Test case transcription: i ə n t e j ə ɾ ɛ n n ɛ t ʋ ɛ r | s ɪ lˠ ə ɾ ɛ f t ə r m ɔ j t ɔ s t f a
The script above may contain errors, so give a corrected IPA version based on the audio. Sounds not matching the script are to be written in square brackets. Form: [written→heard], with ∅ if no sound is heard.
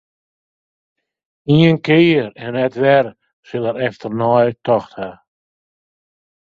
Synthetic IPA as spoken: i ə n [t→k] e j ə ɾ ɛ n n ɛ t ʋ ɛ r | s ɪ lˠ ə ɾ ɛ f t ə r [m→n] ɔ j t ɔ [s→x] t [f→h] a